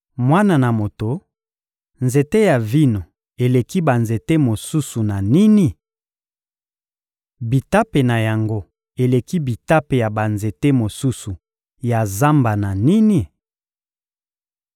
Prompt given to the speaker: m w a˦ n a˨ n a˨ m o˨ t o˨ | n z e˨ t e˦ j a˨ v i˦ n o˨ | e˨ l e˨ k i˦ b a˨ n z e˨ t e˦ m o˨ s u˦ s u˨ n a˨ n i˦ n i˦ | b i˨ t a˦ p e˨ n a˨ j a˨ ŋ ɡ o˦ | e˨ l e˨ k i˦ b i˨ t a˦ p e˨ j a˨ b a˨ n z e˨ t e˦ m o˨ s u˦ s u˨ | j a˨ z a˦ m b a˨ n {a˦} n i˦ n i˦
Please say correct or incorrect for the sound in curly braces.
incorrect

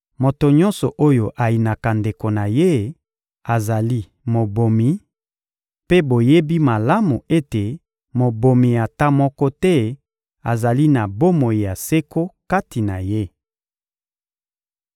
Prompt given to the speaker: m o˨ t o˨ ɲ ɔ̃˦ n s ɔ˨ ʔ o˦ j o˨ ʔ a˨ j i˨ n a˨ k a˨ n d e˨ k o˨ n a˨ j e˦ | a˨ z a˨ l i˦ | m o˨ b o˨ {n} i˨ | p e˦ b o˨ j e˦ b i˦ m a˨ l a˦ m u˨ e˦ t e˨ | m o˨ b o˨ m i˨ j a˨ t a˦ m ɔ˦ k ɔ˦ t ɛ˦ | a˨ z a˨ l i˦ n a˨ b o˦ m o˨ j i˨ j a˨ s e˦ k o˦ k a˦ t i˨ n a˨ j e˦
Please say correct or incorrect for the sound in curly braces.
incorrect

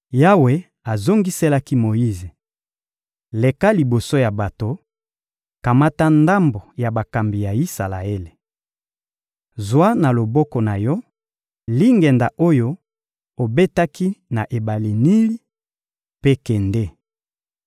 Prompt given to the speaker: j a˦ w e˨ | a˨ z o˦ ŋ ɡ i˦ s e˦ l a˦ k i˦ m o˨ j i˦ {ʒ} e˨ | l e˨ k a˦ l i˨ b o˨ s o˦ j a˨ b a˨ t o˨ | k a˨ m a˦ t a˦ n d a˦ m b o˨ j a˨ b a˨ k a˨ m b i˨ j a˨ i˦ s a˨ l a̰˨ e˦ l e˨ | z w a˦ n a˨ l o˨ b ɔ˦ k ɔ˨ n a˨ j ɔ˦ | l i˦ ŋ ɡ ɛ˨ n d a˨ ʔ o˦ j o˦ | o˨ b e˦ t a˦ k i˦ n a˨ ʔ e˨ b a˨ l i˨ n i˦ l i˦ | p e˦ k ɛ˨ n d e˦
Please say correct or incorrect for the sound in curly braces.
incorrect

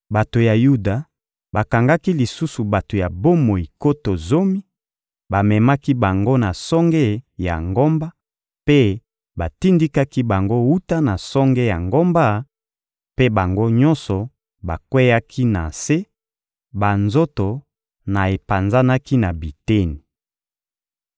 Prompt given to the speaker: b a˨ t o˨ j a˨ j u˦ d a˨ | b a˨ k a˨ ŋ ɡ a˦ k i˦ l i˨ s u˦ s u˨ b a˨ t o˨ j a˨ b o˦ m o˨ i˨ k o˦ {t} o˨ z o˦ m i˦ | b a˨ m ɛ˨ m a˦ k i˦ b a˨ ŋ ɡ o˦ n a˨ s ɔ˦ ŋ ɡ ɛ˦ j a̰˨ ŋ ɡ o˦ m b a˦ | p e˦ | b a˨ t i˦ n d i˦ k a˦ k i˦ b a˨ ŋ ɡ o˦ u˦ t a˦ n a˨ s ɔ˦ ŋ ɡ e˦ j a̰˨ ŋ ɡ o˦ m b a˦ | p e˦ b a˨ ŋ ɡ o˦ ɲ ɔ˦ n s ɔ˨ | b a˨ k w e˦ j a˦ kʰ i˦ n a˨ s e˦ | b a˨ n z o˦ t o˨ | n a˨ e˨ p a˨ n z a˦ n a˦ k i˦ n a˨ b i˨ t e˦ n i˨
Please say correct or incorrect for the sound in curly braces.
correct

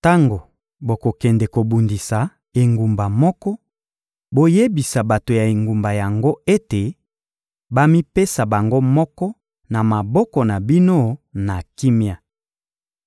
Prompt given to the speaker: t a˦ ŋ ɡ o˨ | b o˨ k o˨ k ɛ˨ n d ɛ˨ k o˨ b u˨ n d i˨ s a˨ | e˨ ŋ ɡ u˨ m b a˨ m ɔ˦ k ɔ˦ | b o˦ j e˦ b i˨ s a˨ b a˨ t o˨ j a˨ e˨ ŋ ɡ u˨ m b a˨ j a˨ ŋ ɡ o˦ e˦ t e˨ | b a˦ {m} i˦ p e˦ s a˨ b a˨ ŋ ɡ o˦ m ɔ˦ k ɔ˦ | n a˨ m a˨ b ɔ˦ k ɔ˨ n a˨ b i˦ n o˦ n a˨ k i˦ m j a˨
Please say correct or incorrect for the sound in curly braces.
correct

